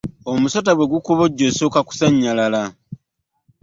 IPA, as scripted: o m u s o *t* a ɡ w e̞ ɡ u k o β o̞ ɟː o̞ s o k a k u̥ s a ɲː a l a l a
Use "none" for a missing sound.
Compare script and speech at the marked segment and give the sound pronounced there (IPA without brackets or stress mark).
t